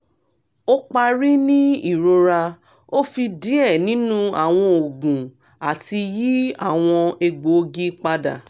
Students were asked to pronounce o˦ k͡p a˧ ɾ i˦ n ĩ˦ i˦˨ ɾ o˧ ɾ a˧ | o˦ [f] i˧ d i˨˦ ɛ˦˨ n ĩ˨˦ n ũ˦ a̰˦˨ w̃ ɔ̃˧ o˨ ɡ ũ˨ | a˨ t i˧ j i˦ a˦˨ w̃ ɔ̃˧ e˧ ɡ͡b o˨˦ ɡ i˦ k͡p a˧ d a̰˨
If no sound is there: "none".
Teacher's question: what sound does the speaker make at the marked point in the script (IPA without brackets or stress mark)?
f